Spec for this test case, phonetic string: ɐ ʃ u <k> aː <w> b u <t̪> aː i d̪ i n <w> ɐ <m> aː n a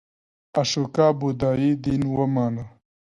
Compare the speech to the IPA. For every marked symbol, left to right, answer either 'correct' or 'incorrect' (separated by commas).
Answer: correct, incorrect, incorrect, correct, correct